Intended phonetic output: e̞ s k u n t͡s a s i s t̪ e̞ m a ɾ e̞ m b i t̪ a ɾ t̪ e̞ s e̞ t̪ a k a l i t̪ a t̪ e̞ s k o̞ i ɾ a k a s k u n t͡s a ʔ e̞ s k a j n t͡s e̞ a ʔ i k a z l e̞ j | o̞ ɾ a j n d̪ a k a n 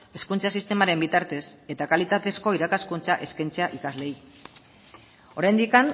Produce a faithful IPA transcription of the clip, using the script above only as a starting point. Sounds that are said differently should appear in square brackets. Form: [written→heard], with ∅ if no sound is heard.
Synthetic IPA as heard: e̞ s k u n t͡s a s i s t̪ e̞ m a ɾ e̞ m b i t̪ a ɾ t̪ e̞ s e̞ t̪ a k a l i t̪ a t̪ e̞ s k o̞ i ɾ a k a s k u n t͡s a ʔ e̞ s k a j n t͡s e̞ a ʔ i k a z l e̞ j | o̞ ɾ a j n d̪ [a→i] k a n